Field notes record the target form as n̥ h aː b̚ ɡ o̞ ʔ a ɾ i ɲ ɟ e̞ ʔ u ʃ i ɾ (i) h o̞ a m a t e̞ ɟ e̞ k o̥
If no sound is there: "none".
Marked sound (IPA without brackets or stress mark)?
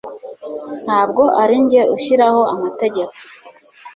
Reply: a